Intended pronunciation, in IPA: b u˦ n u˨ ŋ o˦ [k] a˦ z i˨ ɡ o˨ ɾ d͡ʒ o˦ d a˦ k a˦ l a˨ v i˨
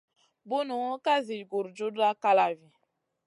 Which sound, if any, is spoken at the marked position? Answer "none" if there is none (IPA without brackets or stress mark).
k